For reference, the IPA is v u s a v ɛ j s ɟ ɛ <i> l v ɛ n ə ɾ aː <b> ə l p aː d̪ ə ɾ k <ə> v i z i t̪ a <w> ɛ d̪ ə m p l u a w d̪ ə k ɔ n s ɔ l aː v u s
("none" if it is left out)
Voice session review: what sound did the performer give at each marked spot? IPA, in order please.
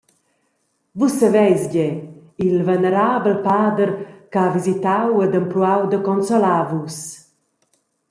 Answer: i, b, a, w

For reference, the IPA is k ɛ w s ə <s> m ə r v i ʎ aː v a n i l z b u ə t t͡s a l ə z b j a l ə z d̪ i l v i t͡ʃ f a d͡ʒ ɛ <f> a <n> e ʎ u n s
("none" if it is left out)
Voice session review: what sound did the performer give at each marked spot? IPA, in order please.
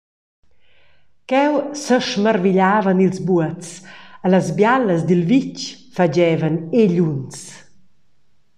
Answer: ʃ, v, n

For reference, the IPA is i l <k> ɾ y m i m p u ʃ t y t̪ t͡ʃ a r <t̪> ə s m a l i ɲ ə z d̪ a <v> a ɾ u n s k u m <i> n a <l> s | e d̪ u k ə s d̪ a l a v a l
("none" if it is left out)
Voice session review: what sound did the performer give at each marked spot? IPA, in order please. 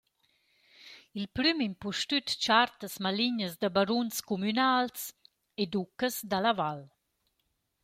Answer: p, t̪, b, y, l

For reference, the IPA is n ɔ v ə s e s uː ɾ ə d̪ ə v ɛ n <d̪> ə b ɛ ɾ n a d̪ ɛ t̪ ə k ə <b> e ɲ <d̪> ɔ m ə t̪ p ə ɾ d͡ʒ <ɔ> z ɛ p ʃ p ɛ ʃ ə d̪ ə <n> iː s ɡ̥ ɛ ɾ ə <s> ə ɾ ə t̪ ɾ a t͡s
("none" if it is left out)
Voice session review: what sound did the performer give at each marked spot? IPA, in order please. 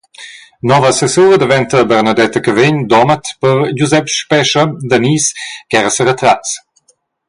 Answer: t̪, v, d̪, u, n, s

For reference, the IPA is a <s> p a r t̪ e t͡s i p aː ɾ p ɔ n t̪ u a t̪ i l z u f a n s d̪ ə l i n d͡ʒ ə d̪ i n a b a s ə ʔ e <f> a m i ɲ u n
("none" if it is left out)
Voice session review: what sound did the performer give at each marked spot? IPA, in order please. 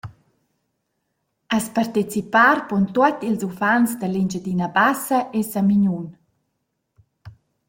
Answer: s, s

